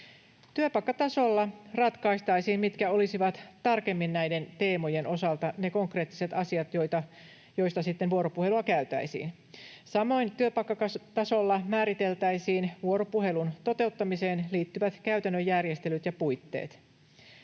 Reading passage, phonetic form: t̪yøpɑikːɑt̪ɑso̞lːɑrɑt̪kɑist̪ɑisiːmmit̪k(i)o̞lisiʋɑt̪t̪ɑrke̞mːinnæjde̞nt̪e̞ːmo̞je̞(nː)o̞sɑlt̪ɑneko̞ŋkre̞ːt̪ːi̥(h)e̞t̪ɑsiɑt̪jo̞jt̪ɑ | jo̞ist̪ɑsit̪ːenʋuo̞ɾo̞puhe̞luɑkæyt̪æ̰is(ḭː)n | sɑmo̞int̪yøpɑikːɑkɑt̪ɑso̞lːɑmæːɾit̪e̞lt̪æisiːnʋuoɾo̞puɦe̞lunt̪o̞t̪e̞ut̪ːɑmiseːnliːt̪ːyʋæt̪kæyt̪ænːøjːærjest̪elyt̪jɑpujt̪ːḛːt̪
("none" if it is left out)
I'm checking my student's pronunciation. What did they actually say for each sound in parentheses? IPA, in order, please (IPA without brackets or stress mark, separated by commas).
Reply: æ, n, s, ḭː